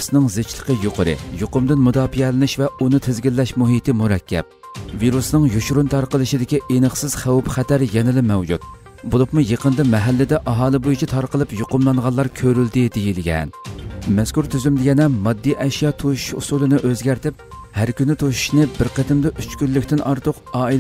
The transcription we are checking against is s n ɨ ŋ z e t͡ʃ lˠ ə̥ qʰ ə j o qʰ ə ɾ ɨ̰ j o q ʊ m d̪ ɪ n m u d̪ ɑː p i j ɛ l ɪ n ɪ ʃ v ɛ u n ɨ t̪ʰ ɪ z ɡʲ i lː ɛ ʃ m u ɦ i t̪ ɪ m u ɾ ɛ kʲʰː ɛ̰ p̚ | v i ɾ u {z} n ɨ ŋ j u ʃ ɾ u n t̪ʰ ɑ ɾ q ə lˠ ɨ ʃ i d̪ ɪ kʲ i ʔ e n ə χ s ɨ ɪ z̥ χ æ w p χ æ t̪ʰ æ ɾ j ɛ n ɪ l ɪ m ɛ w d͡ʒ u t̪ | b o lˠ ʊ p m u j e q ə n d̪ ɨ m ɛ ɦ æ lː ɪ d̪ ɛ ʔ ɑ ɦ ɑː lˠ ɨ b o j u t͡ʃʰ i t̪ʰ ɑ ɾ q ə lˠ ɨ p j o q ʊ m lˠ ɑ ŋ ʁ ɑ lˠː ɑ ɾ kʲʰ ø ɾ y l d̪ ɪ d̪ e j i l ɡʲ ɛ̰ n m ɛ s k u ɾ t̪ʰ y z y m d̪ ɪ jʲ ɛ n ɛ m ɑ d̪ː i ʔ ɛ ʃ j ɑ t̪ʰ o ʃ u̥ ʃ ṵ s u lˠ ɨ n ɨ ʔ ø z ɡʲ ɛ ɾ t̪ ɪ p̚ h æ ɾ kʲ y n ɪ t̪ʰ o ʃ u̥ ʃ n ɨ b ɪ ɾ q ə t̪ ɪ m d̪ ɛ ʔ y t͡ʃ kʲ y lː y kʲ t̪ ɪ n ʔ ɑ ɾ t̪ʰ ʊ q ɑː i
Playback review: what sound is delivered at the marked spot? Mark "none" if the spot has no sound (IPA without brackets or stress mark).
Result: s